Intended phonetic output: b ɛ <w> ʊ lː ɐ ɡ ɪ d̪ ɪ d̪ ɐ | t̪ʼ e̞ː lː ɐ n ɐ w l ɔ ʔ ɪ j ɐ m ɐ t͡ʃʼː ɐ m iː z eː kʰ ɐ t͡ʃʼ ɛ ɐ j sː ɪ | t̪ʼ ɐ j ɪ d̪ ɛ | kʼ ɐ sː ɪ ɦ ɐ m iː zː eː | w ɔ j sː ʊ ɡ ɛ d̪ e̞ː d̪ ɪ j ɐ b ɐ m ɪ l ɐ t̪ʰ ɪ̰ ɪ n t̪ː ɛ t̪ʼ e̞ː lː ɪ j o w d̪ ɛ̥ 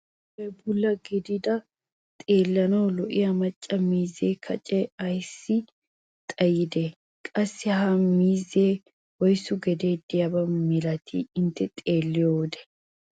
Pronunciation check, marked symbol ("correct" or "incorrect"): incorrect